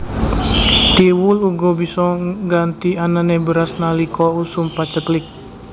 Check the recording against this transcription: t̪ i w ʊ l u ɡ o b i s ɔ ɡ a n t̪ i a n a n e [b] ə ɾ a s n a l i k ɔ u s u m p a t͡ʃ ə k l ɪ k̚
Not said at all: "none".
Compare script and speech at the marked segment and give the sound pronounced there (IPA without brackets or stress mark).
b